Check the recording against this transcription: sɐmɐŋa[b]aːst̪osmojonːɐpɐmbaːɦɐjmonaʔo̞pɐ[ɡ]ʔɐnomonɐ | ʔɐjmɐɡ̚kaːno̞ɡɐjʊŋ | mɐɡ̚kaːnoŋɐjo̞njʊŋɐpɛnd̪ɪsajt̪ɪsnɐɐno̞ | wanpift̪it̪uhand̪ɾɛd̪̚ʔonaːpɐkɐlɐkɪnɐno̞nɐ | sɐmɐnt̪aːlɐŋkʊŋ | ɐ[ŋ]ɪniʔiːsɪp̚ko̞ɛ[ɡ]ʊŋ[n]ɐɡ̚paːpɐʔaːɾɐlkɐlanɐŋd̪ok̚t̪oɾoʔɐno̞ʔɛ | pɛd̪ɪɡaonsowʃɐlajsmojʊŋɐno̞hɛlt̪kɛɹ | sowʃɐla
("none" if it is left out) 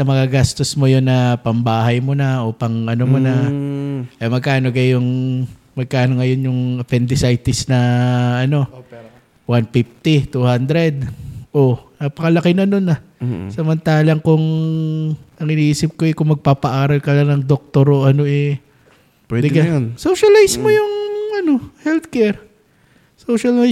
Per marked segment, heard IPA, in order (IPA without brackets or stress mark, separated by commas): ɡ, ŋ, ŋ, k, m